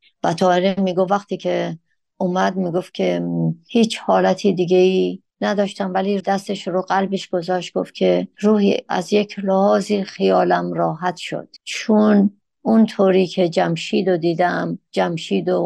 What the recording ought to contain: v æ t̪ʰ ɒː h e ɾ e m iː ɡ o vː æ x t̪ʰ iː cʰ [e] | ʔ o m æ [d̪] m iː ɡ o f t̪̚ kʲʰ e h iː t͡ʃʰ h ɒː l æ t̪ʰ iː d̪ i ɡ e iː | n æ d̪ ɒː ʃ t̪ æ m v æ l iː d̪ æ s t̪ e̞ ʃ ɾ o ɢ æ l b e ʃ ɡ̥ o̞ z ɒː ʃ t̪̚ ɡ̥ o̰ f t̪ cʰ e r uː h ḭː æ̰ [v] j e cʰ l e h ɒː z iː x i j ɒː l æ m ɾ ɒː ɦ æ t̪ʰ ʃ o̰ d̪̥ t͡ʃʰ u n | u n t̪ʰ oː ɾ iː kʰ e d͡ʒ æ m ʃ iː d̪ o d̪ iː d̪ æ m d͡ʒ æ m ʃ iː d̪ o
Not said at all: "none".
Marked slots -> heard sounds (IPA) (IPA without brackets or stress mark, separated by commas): e, d̪, z